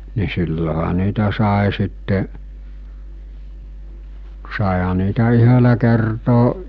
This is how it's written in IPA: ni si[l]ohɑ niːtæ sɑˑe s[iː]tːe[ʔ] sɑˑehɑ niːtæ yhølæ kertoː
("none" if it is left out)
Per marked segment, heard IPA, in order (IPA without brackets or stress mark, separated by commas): lː, i, ʔ